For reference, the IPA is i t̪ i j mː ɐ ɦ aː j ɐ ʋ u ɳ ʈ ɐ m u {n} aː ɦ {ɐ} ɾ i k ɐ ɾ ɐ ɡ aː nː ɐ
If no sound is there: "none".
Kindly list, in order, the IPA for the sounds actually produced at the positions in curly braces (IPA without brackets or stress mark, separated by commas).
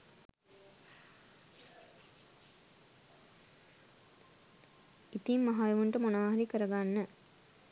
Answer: n, ɐ